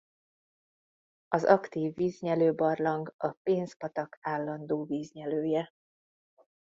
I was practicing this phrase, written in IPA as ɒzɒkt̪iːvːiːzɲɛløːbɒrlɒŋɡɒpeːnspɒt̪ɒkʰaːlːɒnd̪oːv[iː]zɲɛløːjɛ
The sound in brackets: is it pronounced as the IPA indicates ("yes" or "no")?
yes